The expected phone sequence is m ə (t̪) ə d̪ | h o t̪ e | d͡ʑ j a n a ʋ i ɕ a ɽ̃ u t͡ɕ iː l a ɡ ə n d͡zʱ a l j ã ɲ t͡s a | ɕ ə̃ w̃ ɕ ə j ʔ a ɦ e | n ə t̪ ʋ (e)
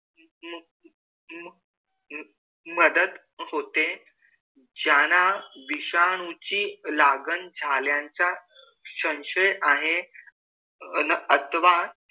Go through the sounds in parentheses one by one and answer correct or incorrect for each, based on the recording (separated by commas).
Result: incorrect, incorrect